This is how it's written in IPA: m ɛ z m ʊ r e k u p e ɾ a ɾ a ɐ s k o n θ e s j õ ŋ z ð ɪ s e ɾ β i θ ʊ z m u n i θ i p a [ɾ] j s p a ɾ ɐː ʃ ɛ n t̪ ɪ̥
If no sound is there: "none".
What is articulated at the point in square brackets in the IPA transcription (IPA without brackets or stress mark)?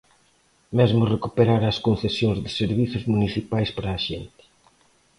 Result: none